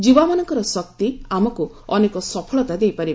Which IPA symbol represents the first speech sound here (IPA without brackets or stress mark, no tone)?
d͡ʒ